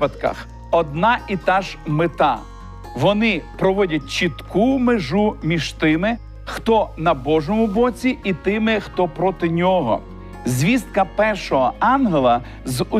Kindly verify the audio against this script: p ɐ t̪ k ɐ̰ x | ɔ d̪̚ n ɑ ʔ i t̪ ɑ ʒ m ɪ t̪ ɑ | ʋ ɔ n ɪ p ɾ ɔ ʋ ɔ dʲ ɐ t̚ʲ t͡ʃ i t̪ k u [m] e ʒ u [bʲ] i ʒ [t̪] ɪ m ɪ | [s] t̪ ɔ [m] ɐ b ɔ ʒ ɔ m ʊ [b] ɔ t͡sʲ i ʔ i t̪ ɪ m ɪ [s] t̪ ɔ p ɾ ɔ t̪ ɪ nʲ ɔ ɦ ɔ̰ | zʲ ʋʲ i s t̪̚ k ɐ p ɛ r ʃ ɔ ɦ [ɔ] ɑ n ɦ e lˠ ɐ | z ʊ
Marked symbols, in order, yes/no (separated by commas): yes, no, yes, no, no, yes, no, yes